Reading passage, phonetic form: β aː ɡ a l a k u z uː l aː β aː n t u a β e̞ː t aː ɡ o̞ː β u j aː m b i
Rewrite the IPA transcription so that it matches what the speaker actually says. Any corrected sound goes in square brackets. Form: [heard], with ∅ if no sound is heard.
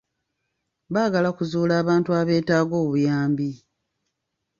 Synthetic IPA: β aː ɡ a l a k u z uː l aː β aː n t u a β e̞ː t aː ɡ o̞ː β u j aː m b i